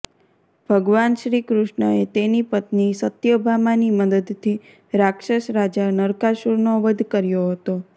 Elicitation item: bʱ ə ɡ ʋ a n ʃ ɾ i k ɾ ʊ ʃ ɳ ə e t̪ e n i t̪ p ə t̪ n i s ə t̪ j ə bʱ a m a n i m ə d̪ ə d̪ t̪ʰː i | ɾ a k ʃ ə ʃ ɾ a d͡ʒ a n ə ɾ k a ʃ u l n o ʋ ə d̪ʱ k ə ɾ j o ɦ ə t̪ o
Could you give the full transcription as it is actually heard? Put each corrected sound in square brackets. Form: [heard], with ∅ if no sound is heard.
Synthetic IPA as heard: bʱ ə ɡ ʋ a n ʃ ɾ i k ɾ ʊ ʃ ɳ ə e t̪ e n i [∅] p ə t̪ n i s ə t̪ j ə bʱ a m a n i m ə d̪ ə d̪ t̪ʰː i | ɾ a k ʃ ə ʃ ɾ a d͡ʒ a n ə ɾ k a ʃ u [ɾ] n o ʋ ə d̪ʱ k ə ɾ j o ɦ ə t̪ o